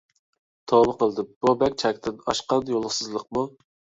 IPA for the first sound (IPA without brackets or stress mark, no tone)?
t̪ʰ